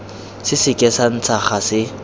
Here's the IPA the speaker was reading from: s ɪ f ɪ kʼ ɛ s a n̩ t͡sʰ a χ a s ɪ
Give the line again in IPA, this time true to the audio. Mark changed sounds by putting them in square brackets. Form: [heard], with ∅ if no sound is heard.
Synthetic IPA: s ɪ [s] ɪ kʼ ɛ s a n̩ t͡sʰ a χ a s ɪ